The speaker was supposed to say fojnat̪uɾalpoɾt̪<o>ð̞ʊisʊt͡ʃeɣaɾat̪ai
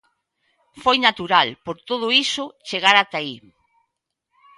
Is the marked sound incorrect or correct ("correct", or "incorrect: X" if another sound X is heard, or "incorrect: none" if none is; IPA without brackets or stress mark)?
correct